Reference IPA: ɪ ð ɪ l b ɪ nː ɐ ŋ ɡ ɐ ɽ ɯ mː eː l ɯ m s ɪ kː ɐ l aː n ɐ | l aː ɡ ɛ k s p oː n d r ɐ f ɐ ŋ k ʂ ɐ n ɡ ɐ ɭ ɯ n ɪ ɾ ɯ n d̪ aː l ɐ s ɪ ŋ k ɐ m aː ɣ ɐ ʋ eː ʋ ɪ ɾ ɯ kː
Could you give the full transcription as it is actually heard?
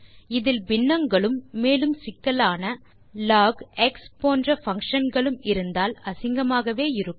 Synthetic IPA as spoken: ɪ ð ɪ l b ɪ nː ɐ ŋ ɡ ɐ ɭ ɯ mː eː l ɯ m s ɪ kː ɐ l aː n ɐ | l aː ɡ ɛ k s p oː n d r ɐ f ɐ ŋ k ʂ ɐ n ɡ ɐ ɭ ɯ m ɪ ɾ ɯ n d̪ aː l ɐ s ɪ ŋ ɡ ɐ m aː ɣ ɐ ʋ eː ɪ ɾ ɯ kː